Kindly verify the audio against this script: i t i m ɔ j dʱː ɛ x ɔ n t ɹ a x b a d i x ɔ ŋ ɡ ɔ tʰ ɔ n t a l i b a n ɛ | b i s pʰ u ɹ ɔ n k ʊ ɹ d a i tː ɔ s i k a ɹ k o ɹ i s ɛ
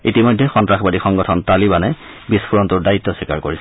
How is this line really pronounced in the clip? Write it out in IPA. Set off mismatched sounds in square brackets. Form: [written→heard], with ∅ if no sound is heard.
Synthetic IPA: i t i m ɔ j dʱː ɛ x ɔ n t ɹ a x b a d i x ɔ ŋ ɡ ɔ tʰ ɔ n t a l i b a n ɛ | b i s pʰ u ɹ ɔ n [k→t] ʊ ɹ d a i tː ɔ s i k a ɹ k o ɹ i s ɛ